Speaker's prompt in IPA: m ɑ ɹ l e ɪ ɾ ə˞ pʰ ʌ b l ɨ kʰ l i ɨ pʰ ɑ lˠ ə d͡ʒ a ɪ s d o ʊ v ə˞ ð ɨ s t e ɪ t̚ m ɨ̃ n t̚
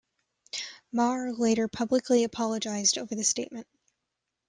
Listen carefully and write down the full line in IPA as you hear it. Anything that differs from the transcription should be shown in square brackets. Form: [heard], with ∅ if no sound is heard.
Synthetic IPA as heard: m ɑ ɹ l e ɪ ɾ ə˞ pʰ ʌ b l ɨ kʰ l i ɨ pʰ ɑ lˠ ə d͡ʒ a ɪ [z] d o ʊ v ə˞ ð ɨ s t e ɪ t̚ m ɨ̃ n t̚